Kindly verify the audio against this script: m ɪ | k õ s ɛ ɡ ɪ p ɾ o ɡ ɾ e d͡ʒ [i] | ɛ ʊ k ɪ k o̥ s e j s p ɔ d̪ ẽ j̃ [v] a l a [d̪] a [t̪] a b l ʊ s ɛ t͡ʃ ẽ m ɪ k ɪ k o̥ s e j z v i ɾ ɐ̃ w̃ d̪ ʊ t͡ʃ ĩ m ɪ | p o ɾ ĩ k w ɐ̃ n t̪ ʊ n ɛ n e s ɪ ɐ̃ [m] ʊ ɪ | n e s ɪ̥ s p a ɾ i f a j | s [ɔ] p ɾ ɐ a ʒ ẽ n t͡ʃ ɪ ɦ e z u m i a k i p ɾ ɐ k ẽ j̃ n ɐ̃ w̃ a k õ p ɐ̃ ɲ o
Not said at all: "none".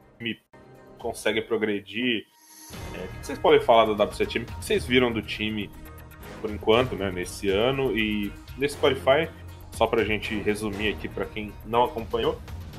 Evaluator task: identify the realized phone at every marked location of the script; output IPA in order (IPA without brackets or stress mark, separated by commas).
i, f, d̪, d̪, n, ɔ